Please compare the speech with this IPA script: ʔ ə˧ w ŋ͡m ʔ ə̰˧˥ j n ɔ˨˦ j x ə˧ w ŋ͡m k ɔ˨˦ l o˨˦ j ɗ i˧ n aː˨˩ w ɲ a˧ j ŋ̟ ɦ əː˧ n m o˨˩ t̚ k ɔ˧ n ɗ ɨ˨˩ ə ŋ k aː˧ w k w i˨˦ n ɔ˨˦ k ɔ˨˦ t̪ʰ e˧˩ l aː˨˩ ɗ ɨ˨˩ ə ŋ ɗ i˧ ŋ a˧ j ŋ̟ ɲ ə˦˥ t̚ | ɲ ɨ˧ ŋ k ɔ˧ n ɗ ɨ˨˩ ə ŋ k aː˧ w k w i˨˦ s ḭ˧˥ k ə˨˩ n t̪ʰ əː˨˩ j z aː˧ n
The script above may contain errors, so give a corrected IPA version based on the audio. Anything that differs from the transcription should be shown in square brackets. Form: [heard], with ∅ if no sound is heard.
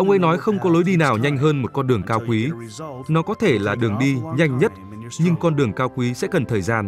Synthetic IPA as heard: ʔ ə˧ w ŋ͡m ʔ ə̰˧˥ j n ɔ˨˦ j x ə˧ w ŋ͡m k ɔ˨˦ l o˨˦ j ɗ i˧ n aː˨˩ w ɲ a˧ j ŋ̟ ɦ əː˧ n m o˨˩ t̚ k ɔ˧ n ɗ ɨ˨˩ ə ŋ k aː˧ w k w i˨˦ n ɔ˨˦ k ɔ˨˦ t̪ʰ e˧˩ l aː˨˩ ɗ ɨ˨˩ ə ŋ ɗ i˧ [ɲ] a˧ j ŋ̟ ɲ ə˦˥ t̚ | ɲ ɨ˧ ŋ k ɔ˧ n ɗ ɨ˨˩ ə ŋ k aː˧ w k w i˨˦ s [ɛ̰˧˥] k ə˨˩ n t̪ʰ əː˨˩ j z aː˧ n